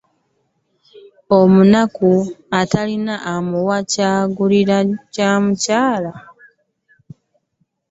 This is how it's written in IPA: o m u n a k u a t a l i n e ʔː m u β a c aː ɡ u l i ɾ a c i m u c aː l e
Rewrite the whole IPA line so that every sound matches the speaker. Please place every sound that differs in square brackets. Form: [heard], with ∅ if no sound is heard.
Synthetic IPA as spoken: o m u n a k u a t a l i n [a] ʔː m u [w] a c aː ɡ u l i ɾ a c [a] m u c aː l [a]